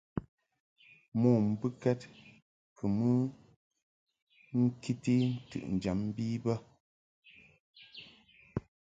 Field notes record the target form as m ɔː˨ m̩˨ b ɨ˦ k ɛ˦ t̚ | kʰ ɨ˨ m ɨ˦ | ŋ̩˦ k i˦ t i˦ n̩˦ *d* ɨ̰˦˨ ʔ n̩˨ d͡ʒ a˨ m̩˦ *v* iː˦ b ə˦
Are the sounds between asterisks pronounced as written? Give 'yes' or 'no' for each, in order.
no, no

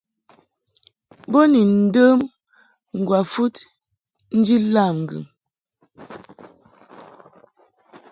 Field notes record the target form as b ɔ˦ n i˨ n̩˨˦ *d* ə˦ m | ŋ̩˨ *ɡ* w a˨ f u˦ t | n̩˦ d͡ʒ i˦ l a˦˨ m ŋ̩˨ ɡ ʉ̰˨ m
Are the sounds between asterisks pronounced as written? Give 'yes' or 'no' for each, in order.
yes, yes

